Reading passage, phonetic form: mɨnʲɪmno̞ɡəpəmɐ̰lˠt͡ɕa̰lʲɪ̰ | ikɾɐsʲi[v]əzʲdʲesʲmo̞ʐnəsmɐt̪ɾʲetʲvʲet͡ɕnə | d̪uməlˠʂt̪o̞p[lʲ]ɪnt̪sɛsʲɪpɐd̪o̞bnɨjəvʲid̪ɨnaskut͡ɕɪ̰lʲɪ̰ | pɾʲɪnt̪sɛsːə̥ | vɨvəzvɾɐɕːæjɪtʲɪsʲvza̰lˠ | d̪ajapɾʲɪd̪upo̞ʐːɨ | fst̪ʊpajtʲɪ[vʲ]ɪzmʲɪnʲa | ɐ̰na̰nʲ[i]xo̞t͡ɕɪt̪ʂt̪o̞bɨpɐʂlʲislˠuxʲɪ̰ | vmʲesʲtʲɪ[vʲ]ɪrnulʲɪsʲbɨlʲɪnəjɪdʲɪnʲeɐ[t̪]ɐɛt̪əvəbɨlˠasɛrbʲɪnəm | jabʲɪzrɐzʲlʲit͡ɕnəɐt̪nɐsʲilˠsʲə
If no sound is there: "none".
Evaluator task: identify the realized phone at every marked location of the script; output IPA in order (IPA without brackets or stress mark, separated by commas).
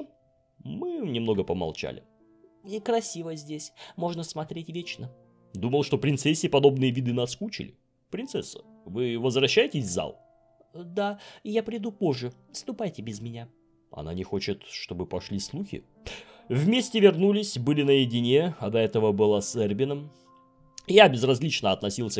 v, ɾʲ, bʲ, ɪ, vʲ, d̪